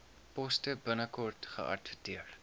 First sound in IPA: p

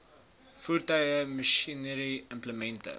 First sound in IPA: f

